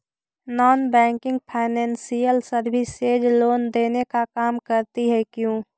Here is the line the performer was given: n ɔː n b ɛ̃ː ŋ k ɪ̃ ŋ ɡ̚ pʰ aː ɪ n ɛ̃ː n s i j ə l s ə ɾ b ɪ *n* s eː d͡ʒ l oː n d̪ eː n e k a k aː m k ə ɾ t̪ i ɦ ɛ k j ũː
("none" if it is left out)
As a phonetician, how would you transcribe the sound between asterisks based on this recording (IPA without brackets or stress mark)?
none